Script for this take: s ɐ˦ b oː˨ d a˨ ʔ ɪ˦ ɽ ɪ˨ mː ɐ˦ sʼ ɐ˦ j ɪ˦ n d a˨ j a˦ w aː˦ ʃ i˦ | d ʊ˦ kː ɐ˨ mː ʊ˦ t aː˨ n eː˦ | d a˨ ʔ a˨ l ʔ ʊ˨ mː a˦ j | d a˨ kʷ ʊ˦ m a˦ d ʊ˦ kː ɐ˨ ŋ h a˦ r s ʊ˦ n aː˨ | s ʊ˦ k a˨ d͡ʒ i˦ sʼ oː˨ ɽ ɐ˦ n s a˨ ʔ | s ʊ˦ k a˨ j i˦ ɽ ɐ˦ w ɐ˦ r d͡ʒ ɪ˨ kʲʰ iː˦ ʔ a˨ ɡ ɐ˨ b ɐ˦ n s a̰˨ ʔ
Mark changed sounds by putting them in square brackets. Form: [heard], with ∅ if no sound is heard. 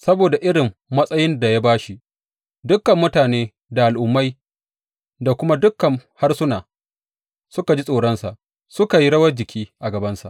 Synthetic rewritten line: s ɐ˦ b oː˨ d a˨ ʔ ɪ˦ ɽ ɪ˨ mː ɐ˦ sʼ ɐ˦ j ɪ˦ n d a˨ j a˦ [b] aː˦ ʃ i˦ | d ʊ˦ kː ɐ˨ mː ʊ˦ t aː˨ n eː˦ | d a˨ ʔ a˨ l ʔ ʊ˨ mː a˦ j | d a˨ kʷ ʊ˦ m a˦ d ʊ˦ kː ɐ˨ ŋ h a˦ r s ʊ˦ n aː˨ | s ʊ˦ k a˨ d͡ʒ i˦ sʼ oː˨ ɽ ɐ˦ n s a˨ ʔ | s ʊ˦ k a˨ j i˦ ɽ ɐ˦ w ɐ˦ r d͡ʒ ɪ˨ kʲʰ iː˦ ʔ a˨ ɡ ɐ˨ b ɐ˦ n s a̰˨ ʔ